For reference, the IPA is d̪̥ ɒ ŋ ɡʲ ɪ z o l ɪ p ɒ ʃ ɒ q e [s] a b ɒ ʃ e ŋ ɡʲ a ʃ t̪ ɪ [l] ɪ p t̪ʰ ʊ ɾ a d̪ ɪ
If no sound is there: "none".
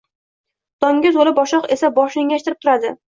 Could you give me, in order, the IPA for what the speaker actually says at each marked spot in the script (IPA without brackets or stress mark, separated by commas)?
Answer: s, ɾ